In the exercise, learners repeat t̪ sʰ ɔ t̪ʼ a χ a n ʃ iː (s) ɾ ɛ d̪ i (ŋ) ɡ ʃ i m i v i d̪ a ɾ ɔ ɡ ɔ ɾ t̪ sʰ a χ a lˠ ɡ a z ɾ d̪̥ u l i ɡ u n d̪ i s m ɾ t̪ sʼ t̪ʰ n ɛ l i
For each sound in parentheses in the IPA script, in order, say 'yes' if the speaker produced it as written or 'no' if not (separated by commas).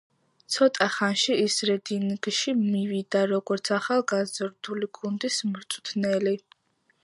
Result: yes, no